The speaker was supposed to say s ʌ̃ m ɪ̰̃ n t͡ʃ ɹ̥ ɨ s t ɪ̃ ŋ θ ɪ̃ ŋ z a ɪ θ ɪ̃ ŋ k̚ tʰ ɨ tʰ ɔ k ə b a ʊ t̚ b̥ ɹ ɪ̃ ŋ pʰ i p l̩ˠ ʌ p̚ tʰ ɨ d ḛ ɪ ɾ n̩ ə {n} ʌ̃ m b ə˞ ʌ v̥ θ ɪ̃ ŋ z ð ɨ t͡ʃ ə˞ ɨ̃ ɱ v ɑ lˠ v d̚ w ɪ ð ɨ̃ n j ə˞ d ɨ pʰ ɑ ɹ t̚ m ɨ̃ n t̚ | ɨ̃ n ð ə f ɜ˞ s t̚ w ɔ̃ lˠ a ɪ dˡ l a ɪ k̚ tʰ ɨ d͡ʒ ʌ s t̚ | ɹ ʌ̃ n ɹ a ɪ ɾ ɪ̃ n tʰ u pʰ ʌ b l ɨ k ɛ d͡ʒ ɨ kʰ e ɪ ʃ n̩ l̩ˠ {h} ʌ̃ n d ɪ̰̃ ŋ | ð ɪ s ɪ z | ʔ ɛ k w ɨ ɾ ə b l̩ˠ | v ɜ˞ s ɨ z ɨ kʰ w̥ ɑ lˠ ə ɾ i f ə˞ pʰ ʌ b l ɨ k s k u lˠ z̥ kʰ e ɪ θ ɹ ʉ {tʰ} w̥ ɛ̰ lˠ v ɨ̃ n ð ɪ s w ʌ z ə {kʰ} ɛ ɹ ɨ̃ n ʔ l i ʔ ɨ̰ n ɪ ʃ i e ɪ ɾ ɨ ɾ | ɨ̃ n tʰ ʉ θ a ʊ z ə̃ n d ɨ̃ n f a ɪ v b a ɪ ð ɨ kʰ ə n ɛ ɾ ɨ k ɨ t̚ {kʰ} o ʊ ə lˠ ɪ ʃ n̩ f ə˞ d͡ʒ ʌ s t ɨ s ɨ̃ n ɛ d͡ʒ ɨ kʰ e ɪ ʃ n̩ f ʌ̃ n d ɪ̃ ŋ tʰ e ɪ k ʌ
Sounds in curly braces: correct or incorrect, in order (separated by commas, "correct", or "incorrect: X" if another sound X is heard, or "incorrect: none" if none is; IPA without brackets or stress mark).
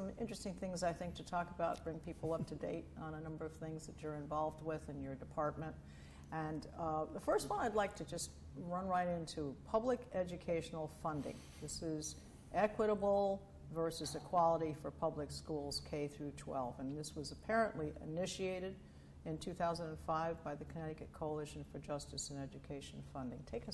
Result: correct, incorrect: f, correct, incorrect: pʰ, correct